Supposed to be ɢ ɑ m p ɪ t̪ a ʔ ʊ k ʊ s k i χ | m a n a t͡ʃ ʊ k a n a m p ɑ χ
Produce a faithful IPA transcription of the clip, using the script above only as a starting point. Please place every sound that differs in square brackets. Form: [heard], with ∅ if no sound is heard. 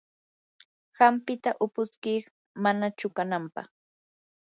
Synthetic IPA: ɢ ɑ m p ɪ t̪ a ʔ ʊ [p] ʊ s k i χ | m a n a t͡ʃ ʊ k a n a m p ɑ χ